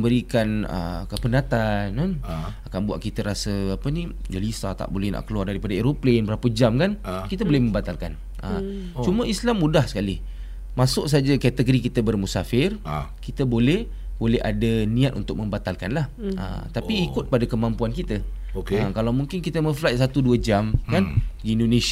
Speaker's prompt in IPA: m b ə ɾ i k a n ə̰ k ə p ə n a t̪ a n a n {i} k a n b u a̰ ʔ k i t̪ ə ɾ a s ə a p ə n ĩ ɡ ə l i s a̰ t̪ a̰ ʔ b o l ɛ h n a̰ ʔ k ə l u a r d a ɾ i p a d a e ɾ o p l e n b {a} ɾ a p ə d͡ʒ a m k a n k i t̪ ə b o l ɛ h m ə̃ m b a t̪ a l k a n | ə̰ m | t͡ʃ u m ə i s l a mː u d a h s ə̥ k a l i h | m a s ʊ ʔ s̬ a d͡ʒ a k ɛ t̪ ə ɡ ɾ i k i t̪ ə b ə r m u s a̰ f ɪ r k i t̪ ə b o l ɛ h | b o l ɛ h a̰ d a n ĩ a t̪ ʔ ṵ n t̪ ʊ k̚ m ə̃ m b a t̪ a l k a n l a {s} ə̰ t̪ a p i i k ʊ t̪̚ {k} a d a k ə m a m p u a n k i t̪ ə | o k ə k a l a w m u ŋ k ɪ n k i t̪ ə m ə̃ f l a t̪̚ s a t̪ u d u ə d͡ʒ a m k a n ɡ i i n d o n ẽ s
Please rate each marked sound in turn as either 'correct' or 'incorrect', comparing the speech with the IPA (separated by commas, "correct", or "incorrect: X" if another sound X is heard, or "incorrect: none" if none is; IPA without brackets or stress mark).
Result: incorrect: a, incorrect: ə, incorrect: h, incorrect: p